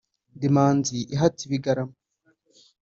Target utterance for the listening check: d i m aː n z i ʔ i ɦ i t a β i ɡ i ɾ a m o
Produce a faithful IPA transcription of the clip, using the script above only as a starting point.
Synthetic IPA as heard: d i m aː n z i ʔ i ɦ a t i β i ɡ a ɾ a m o